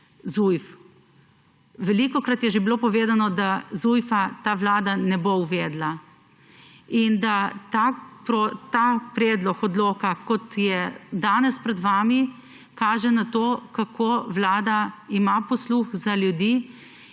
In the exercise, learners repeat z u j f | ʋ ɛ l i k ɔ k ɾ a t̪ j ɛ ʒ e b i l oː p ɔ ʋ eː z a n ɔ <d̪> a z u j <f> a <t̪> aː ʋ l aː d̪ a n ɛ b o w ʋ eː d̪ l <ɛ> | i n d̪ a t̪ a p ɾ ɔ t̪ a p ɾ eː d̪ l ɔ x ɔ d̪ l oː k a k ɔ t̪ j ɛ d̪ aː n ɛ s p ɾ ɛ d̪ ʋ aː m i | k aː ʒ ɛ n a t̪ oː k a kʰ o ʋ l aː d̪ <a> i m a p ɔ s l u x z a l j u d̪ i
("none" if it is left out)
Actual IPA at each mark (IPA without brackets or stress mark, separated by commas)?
d̪, f, t̪, a, a